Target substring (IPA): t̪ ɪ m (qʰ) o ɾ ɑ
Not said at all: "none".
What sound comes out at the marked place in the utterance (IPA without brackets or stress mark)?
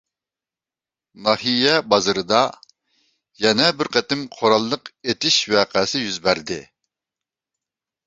qʰ